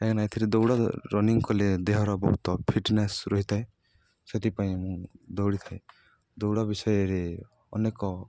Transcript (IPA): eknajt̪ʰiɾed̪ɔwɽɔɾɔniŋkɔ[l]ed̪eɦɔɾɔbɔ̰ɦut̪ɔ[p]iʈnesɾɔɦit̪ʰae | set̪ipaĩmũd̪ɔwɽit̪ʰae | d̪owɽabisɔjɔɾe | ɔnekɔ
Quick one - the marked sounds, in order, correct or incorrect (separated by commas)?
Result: correct, incorrect